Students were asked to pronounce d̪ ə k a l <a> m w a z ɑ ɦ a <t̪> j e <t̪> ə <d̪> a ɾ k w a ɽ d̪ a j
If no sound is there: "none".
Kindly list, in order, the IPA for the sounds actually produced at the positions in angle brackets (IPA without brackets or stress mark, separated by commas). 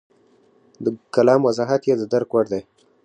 ɑ, t̪, d̪, d̪